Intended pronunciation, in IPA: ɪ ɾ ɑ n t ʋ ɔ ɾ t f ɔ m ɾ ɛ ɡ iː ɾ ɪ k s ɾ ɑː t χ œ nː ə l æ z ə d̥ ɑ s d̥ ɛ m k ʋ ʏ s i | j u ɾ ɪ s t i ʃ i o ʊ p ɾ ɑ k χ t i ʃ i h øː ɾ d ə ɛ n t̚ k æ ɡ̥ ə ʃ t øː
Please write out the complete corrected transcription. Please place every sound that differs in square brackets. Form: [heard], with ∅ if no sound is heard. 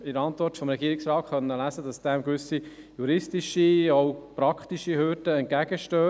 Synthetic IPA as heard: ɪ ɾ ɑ n t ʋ ɔ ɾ t f ɔ m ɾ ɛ ɡ iː ɾ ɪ k s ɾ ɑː t χ œ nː ə l æ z ə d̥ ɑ s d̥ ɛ m k ʋ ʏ s i | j u ɾ ɪ s t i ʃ i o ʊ p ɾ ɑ k χ t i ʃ i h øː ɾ d ə ɛ n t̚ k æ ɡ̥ ə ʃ t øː